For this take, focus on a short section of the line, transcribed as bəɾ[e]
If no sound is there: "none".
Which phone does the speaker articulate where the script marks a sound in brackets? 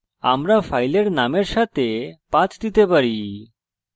i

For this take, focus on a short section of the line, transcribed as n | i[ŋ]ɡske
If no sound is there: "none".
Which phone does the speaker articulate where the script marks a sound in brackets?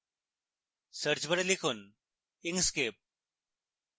ŋ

